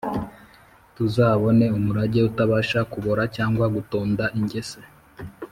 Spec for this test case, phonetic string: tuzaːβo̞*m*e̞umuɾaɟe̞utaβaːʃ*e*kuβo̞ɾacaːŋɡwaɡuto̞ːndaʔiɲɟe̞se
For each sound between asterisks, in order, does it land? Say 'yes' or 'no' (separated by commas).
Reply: no, no